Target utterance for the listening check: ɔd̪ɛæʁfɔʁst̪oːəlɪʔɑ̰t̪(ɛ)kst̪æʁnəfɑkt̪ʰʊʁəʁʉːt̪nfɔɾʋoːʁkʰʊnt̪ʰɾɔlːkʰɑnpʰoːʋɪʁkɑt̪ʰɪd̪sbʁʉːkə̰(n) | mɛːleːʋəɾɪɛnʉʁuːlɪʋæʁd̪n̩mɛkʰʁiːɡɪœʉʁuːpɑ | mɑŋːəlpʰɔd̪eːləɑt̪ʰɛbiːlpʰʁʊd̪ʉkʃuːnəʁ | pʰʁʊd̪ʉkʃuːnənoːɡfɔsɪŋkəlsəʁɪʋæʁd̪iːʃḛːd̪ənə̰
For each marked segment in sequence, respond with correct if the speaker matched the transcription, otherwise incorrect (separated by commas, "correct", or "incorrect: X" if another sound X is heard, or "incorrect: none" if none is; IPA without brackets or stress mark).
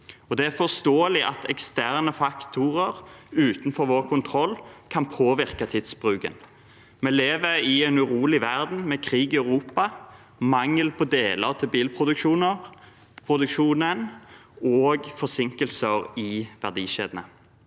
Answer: correct, correct